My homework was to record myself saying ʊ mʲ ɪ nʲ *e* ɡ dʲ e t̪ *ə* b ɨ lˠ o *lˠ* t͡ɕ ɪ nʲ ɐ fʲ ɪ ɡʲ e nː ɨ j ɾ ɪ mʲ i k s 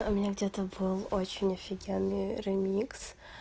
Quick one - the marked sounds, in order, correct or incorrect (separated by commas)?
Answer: incorrect, correct, incorrect